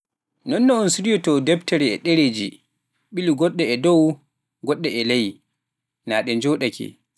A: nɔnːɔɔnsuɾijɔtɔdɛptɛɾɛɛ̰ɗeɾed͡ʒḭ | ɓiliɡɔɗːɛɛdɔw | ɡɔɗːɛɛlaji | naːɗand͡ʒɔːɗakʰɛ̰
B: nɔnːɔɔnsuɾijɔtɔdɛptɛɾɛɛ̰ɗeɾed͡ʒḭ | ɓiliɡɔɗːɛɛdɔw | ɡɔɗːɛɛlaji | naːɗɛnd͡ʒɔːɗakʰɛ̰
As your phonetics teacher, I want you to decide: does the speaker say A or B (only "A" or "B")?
B